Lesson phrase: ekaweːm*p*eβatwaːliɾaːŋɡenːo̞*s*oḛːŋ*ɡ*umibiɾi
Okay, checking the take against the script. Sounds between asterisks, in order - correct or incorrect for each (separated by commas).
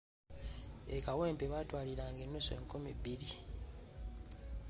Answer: correct, correct, incorrect